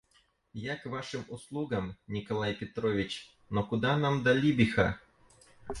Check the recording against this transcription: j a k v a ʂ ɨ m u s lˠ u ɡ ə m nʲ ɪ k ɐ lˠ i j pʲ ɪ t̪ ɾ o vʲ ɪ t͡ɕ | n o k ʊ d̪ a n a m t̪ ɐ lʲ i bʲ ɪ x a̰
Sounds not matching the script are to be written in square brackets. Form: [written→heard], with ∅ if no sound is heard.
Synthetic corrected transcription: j a k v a ʂ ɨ m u s lˠ u ɡ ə m nʲ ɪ k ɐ lˠ [i→a] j pʲ ɪ t̪ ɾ o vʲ ɪ t͡ɕ | n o k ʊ d̪ a n a m [t̪→d̪] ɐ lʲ i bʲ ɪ x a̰